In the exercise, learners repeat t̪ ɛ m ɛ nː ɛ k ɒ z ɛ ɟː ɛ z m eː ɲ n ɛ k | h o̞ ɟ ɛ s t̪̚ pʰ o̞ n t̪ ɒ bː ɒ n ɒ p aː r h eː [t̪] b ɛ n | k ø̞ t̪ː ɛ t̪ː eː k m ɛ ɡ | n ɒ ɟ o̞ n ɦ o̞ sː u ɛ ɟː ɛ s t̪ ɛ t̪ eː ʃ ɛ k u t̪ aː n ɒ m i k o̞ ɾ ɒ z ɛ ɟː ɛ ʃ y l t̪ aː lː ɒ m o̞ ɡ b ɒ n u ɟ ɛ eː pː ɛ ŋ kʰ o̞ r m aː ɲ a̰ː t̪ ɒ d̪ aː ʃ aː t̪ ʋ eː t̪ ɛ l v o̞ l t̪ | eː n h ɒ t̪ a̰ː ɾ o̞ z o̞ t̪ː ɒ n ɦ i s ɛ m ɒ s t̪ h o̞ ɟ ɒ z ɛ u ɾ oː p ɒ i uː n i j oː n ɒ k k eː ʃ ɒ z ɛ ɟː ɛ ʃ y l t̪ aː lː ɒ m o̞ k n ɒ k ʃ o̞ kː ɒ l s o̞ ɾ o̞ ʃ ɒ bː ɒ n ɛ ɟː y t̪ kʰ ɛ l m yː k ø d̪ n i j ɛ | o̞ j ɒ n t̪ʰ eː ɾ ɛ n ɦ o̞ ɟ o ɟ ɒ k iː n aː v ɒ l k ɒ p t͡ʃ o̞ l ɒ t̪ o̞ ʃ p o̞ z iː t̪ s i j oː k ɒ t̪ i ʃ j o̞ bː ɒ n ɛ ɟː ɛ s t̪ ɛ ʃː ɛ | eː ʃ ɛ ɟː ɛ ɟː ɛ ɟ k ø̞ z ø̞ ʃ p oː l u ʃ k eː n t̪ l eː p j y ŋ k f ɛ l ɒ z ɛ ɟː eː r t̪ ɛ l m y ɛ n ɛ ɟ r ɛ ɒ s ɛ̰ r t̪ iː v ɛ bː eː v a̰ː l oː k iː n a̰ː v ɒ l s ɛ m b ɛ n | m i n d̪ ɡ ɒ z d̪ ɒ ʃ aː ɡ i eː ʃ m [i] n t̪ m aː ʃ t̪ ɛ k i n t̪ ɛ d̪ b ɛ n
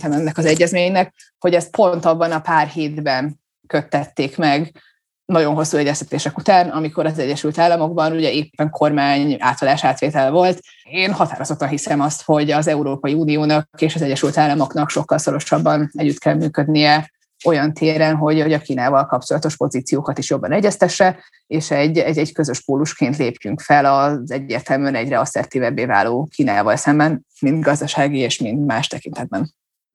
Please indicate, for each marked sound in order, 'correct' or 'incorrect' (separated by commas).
incorrect, correct